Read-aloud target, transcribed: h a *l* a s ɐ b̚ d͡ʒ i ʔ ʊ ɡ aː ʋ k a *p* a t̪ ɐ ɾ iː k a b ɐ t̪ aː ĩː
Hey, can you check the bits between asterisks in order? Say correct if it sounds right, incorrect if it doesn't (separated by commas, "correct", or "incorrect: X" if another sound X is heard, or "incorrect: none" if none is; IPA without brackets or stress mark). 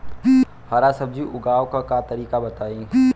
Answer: incorrect: ɾ, incorrect: k